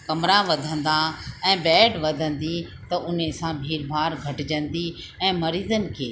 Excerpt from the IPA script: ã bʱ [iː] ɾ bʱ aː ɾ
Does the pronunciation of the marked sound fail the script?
no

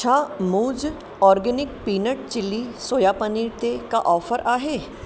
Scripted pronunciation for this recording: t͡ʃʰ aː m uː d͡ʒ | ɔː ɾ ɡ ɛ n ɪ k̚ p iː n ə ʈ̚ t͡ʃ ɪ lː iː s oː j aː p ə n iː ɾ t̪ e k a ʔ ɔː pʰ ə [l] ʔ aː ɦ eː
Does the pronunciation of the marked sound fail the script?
yes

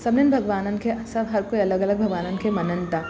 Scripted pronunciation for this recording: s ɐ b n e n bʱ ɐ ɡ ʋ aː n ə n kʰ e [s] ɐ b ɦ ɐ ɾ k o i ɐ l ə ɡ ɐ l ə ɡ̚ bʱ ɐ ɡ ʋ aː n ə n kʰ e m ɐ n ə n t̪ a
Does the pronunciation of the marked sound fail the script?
no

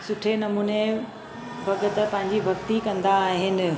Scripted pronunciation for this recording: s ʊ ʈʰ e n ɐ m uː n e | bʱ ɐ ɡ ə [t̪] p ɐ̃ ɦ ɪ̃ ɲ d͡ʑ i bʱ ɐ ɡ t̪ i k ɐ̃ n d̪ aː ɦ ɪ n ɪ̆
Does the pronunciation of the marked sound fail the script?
no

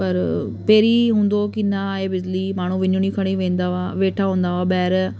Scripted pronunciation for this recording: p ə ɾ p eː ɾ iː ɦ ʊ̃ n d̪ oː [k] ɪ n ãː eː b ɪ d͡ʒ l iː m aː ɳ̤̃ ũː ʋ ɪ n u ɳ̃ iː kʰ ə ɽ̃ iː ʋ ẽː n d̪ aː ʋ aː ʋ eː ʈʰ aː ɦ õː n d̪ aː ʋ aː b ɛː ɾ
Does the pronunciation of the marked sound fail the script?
no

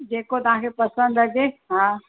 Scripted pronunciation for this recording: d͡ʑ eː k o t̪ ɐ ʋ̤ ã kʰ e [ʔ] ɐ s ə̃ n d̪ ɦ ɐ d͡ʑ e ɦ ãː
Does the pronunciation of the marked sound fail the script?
yes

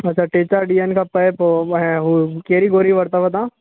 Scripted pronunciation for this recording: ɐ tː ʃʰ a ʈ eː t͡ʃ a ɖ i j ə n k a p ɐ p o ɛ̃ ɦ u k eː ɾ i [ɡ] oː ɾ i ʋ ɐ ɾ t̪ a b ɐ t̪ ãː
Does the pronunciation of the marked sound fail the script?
no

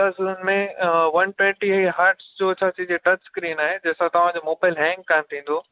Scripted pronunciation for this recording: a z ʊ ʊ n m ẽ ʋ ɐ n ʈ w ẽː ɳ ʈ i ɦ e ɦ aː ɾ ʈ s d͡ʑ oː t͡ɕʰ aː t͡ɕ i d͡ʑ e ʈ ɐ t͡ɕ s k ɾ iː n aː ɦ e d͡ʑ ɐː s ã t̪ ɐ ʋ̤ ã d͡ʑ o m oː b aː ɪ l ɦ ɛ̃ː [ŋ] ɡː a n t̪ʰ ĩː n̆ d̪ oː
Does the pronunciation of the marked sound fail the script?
no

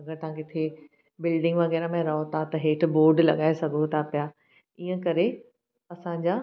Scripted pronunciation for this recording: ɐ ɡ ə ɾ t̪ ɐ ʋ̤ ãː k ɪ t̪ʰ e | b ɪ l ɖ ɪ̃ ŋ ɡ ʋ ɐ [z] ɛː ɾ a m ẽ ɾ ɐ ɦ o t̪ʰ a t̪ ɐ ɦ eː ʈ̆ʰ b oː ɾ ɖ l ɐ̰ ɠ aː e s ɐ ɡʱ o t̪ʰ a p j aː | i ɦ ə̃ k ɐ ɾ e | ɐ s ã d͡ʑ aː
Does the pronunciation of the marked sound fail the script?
yes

